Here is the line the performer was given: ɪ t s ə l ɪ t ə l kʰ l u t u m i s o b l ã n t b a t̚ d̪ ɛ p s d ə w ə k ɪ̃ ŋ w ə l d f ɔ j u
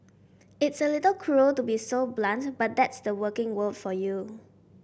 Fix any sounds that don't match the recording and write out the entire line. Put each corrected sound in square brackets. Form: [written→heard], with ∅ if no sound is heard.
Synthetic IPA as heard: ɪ t s ə l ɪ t ə l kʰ [l→ɹ] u t u [m→b] i s o b l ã n t b a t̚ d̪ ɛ [p→t] s d ə w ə k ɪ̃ ŋ w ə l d f ɔ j u